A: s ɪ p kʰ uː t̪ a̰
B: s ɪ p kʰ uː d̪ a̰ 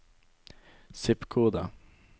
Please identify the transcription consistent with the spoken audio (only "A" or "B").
B